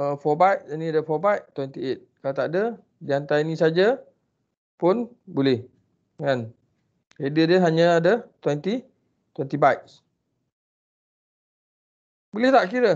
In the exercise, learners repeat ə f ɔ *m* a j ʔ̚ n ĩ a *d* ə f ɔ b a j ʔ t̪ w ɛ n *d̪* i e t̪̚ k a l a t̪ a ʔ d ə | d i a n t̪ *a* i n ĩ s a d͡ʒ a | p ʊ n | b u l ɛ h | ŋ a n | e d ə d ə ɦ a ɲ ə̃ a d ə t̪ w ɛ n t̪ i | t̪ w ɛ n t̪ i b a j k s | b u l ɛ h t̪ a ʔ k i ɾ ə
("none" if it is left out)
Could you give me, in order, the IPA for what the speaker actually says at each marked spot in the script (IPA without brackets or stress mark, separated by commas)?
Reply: b, d, t̪, a